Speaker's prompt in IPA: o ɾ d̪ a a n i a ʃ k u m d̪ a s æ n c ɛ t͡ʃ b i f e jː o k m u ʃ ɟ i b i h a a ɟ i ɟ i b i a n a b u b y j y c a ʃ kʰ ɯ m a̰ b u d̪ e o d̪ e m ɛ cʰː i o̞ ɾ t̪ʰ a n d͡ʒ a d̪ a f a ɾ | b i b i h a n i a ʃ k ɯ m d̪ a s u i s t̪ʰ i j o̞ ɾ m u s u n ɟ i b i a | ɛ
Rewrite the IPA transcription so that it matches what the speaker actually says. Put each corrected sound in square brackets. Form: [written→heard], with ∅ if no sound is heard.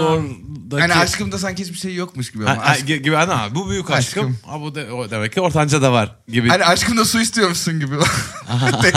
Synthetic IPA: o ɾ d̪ a a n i a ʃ k [u→ɯ] m d̪ a s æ n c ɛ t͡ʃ b i [f→ʃ] e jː o k m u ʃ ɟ i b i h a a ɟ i ɟ i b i a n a b u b y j y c a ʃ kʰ ɯ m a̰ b u d̪ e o d̪ e m ɛ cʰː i o̞ ɾ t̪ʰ a n d͡ʒ a d̪ a [f→v] a ɾ | [b→ɟ] i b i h a n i a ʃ k ɯ m d̪ a s u i s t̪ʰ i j o̞ ɾ m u s u n ɟ i b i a | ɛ